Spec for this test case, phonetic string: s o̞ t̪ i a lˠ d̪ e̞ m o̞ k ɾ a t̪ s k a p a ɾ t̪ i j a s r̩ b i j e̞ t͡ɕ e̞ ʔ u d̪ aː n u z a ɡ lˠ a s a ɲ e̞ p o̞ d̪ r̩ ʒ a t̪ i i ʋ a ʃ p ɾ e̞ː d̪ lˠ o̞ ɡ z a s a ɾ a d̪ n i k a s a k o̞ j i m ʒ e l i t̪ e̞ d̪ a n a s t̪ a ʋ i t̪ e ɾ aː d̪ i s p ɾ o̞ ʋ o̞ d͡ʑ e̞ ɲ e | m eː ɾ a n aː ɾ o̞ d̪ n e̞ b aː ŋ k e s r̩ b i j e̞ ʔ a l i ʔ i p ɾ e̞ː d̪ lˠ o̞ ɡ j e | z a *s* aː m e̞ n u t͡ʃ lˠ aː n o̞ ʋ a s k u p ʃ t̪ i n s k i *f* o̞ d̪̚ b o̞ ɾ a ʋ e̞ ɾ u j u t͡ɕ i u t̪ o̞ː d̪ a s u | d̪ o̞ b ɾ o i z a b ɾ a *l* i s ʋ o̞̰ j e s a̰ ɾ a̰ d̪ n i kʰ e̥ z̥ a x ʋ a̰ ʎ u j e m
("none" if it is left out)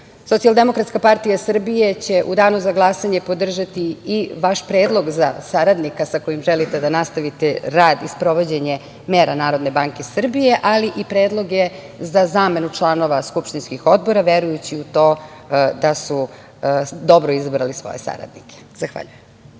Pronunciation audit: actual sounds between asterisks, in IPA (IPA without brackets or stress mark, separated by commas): z, x, l